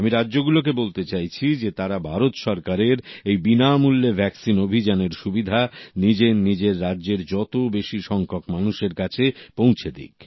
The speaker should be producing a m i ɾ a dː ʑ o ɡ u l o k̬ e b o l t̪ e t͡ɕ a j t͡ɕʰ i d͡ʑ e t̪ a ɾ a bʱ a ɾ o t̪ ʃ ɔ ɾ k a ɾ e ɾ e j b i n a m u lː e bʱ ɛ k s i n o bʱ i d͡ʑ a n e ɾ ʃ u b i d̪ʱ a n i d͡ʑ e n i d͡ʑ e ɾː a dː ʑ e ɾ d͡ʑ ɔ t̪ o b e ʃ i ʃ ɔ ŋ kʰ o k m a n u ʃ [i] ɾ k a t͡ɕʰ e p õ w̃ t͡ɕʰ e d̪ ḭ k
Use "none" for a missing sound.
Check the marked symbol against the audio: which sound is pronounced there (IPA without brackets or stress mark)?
e